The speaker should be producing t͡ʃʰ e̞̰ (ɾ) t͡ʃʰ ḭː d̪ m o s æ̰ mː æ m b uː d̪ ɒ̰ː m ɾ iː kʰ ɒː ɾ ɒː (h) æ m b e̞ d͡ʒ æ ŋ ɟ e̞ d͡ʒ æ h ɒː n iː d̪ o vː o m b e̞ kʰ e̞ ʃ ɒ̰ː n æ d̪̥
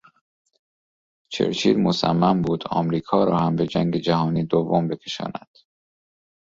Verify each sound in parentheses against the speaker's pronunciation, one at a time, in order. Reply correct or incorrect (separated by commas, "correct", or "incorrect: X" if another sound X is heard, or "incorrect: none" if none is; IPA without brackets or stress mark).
correct, correct